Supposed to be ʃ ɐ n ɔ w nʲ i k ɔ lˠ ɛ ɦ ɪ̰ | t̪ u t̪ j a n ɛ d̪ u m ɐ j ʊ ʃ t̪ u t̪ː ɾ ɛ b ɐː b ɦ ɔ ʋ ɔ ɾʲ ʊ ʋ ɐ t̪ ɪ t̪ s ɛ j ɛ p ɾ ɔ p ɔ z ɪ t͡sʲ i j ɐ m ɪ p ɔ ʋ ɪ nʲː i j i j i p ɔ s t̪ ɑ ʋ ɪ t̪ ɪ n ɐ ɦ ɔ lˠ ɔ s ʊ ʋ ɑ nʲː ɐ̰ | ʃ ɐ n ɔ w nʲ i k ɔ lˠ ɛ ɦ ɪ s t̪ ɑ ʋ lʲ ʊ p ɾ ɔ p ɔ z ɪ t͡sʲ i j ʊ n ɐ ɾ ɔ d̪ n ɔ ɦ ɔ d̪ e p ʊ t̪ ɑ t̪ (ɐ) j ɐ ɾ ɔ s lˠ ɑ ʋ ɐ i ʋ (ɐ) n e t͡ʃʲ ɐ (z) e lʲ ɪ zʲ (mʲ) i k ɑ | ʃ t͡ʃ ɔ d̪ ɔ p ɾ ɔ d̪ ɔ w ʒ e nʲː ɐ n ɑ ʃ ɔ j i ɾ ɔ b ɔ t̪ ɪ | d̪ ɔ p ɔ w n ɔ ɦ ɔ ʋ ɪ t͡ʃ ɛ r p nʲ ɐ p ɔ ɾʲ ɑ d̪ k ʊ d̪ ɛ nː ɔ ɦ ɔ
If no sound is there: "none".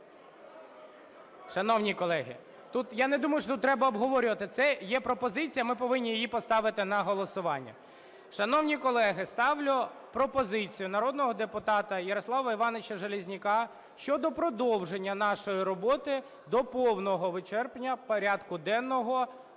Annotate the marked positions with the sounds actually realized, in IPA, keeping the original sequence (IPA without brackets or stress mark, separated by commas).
ɐ, ɑ, ʒ, nʲ